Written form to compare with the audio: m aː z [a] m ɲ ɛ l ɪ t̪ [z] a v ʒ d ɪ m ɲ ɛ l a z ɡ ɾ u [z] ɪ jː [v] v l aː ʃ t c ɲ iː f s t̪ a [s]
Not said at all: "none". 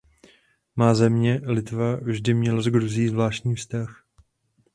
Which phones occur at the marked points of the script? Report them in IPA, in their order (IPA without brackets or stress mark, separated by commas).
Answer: ɛ, v, z, z, x